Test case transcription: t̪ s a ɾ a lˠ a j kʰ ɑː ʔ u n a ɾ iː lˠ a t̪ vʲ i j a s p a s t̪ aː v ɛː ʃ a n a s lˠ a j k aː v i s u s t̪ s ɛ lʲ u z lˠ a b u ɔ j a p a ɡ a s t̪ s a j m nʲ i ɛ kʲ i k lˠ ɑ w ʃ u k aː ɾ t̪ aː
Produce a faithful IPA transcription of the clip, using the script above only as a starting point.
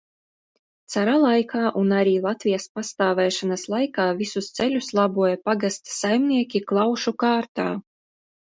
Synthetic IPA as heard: t̪ s a ɾ a lˠ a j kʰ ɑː ʔ u n a ɾ iː lˠ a t̪ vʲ i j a s p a s t̪ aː v ɛː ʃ a n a s lˠ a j k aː v i s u s t̪ s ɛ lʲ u s lˠ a b u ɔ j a p a ɡ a s t̪ s a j m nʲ i ɛ kʲ i k lˠ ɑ w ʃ u k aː ɾ t̪ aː